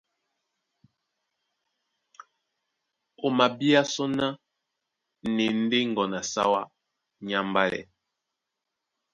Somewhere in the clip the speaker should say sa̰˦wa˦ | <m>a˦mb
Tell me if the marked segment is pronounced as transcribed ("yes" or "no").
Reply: no